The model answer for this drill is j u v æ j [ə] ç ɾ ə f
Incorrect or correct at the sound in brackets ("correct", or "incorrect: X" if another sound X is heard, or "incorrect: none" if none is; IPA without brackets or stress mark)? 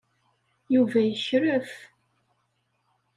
correct